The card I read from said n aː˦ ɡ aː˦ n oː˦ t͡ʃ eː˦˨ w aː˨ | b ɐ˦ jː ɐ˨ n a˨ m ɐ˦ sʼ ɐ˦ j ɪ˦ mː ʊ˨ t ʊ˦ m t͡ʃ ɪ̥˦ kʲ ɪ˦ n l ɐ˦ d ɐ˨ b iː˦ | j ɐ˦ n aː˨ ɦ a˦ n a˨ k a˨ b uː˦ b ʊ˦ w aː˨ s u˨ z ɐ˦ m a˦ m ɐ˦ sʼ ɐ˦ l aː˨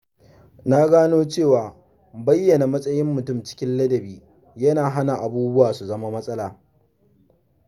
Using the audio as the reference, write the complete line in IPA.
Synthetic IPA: n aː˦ ɡ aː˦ n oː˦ t͡ʃ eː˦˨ w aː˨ | b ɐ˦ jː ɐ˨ n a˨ m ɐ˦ sʼ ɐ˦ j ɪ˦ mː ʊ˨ t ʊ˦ m t͡ʃ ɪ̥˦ kʲ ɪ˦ n l ɐ˦ d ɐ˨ b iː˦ | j ɐ˦ n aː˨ ɦ a˦ n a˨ ʔ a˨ b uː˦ b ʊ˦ w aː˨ s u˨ z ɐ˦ m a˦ m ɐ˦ sʼ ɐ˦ l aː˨